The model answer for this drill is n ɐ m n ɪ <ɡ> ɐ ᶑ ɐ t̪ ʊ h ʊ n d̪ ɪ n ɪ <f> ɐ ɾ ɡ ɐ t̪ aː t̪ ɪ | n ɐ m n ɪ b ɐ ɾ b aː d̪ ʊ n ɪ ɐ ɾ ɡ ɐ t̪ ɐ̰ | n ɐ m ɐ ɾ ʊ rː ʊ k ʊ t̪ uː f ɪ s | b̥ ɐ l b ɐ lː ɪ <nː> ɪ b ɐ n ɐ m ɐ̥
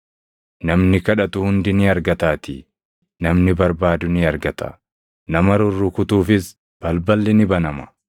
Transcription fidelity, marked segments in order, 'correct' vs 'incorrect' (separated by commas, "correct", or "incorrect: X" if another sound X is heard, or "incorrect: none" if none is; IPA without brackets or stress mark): incorrect: k, incorrect: none, incorrect: n